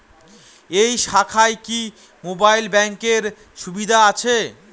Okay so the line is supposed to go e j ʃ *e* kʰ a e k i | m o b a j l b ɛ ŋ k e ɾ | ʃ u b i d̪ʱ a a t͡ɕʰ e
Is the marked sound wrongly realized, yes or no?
yes